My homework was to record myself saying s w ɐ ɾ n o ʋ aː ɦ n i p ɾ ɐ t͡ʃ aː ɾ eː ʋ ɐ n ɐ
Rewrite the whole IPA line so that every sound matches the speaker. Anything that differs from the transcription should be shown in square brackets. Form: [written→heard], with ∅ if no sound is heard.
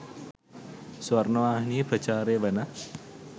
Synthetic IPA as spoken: s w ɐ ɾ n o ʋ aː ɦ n i p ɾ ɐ t͡ʃ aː ɾ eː ʋ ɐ n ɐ